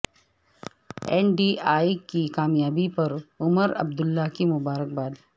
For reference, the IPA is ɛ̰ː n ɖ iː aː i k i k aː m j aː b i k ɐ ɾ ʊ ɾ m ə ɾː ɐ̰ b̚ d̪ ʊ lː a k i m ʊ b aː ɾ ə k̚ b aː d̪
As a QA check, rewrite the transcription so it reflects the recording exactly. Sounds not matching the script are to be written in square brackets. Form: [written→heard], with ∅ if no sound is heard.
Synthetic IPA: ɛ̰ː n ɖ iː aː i k i k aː m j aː b i [k→p] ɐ ɾ ʊ [ɾ→∅] m ə [ɾː→ɾ] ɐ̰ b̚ d̪ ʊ lː a k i m ʊ b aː ɾ ə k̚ b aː d̪